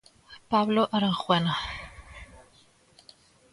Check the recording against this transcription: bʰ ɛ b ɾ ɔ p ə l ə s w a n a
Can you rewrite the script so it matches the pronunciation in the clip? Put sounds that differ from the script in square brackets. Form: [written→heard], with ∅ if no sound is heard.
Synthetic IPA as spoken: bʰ [ɛ→a] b [ɾ→l] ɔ [p→ʔ] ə [l→ɾ] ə [s→χ] w [a→ɛ] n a